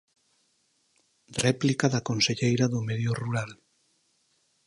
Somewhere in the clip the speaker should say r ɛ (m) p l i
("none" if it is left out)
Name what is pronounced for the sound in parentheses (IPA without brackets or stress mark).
none